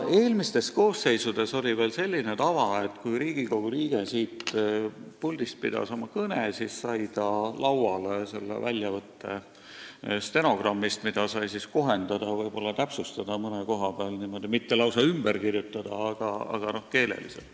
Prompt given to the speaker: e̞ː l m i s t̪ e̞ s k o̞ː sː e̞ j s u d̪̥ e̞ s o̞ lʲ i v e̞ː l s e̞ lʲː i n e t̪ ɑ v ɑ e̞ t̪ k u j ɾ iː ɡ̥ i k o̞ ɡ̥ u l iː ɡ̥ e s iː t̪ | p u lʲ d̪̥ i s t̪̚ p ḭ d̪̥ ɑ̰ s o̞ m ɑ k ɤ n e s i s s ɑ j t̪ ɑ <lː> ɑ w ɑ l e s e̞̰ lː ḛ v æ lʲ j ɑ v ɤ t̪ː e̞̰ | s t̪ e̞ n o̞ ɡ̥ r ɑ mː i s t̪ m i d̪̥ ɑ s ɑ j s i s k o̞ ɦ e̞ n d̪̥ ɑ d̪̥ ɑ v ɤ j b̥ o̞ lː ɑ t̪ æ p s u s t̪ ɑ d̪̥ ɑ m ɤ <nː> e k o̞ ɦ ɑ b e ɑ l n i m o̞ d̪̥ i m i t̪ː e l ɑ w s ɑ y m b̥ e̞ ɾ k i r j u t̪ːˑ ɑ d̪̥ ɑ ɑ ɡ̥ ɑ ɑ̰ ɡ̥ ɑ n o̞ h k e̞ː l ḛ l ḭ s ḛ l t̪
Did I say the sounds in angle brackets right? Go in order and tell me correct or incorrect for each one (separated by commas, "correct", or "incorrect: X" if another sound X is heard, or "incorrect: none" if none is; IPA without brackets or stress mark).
incorrect: l, incorrect: n